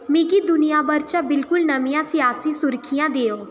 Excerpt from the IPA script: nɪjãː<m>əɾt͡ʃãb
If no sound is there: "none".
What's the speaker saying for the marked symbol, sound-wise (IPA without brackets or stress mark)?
b